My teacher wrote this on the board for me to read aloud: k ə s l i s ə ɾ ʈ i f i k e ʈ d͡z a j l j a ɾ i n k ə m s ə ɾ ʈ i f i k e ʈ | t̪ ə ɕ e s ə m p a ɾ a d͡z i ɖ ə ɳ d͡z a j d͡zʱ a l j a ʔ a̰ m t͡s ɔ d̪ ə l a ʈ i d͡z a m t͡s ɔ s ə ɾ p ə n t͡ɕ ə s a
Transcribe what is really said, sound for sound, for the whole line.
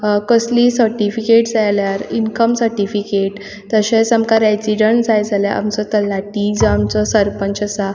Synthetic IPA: k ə s l i s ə ɾ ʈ i f i k e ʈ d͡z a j l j a ɾ i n k ə m s ə ɾ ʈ i f i k e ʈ | t̪ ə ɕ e s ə m k a ɾ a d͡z i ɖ ə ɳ d͡z a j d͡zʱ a l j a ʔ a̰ m t͡s ɔ t̪ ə l a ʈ i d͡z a m t͡s ɔ s ə ɾ p ə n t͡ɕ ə s a